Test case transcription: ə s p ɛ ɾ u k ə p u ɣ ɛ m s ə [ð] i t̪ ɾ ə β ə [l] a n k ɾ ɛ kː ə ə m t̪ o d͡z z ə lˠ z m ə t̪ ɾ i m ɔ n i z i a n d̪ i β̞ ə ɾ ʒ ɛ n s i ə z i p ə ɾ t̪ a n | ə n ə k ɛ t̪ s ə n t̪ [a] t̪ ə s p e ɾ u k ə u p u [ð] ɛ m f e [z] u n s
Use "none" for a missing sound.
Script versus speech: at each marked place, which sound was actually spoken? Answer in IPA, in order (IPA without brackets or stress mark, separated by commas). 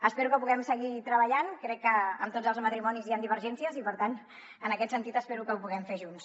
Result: ɣ, ʎ, i, ɣ, ʒ